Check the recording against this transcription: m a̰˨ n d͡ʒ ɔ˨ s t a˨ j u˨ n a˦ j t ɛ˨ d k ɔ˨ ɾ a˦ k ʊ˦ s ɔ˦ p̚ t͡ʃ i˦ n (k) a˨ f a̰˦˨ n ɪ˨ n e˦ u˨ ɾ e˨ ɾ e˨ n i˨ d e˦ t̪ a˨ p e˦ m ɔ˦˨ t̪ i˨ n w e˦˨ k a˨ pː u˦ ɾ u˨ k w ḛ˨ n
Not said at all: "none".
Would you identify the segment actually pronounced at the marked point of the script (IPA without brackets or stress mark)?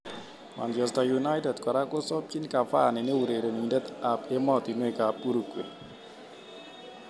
k